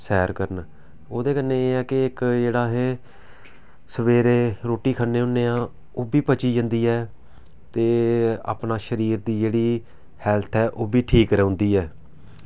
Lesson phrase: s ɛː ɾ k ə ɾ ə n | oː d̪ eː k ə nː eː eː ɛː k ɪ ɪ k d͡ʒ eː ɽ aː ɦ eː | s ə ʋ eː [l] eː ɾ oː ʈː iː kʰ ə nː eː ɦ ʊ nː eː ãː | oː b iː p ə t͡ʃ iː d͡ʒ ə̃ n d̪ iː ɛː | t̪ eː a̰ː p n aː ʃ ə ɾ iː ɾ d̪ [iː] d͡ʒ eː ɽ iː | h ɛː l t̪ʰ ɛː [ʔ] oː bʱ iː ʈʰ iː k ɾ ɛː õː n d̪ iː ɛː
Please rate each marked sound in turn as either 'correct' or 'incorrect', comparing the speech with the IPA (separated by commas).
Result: incorrect, correct, correct